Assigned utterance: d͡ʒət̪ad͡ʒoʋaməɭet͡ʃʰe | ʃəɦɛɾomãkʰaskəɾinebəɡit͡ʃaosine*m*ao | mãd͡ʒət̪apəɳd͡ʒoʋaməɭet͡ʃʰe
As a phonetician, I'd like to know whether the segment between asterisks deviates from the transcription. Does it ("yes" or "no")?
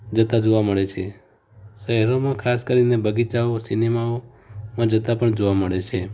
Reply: no